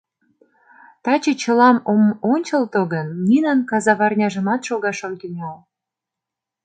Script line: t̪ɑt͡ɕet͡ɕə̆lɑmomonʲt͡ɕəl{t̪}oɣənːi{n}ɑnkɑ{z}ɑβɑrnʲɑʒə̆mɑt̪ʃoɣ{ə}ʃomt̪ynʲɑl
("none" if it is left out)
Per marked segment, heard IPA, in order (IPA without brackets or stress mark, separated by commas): t̪, n, z, ɑ